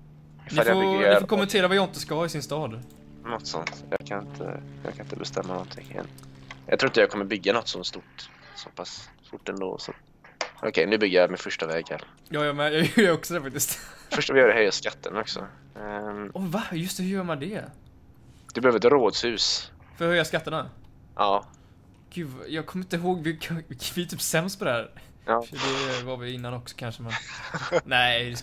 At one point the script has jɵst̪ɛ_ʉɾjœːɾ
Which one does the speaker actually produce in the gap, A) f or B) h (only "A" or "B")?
B